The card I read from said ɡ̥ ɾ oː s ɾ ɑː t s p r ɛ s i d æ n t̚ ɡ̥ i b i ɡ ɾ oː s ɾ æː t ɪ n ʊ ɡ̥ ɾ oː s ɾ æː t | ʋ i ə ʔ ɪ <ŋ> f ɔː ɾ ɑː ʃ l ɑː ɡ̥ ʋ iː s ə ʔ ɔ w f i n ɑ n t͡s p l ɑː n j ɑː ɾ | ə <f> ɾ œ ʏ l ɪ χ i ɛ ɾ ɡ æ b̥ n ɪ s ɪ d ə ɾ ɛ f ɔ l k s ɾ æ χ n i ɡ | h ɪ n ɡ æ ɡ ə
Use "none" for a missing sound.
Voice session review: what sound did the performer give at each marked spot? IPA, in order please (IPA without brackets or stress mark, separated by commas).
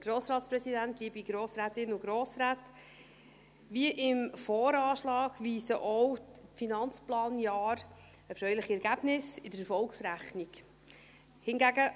m, f